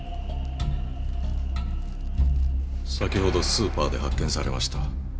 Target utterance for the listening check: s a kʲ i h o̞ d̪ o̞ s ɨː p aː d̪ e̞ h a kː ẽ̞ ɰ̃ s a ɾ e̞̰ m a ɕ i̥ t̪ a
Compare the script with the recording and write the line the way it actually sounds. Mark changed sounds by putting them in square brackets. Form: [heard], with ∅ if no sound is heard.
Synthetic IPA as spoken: s a kʲ i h o̞ d̪ o̞ s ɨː p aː d̪ e̞ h a kː ẽ̞ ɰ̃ s a ɾ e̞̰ m a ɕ i̥ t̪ a